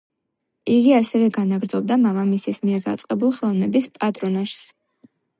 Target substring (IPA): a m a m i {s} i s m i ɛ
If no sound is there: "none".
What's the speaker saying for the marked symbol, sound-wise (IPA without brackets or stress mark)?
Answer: s